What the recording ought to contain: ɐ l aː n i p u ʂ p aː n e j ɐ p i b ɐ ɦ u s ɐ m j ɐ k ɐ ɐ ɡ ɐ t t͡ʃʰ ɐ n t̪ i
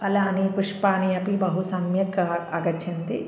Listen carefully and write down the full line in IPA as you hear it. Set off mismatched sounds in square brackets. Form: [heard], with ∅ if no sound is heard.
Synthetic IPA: ɐ l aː n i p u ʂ p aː n [i] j ɐ p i b ɐ ɦ u s ɐ m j ɐ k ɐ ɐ ɡ ɐ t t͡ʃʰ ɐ n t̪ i